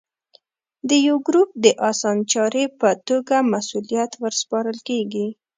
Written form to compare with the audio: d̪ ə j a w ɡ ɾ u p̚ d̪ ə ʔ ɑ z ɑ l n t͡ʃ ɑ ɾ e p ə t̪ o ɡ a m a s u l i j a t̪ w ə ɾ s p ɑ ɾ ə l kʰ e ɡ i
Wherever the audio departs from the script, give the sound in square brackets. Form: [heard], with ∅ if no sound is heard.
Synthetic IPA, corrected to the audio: d̪ ə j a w ɡ ɾ u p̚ d̪ ə ʔ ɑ [s] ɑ [∅] n t͡ʃ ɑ ɾ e p ə t̪ o ɡ a m a s u l i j a t̪ w ə ɾ s p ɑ ɾ ə l [k] e ɡ i